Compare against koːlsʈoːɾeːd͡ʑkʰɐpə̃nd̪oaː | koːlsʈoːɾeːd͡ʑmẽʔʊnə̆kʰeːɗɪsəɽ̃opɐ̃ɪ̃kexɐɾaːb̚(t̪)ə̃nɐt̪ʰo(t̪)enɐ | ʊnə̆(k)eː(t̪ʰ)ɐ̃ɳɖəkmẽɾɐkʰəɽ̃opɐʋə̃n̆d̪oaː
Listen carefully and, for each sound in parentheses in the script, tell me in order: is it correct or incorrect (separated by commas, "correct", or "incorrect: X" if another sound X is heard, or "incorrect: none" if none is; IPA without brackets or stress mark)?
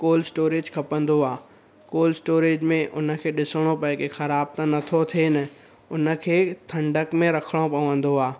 correct, incorrect: t̪ʰ, incorrect: kʰ, correct